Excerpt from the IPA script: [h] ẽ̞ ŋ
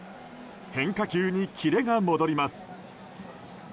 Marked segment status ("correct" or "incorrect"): correct